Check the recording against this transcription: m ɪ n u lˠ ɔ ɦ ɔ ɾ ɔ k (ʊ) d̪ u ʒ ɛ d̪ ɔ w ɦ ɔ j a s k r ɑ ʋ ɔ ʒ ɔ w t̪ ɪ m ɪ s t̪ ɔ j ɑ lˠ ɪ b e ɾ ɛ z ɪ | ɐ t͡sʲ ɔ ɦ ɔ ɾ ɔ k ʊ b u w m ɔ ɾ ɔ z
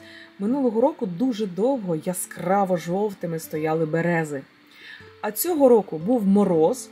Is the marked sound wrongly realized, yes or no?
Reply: no